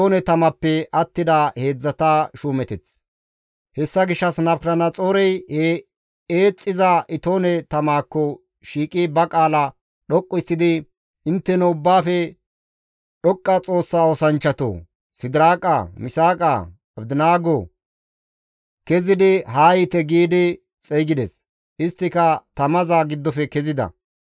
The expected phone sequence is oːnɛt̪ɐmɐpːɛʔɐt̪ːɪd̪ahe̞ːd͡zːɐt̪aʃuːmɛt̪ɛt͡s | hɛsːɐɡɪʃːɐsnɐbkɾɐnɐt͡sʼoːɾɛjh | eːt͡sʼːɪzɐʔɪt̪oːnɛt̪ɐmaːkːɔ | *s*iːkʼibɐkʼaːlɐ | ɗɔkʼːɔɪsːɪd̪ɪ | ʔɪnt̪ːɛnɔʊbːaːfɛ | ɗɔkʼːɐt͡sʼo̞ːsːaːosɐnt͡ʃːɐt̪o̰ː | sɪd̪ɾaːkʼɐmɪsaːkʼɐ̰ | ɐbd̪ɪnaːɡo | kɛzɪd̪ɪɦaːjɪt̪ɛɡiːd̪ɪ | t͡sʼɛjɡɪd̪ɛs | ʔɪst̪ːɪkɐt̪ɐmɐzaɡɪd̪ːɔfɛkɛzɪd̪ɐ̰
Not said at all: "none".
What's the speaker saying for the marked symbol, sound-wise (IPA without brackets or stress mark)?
ʃ